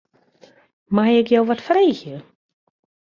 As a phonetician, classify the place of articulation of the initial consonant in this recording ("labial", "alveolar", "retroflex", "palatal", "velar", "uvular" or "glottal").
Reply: labial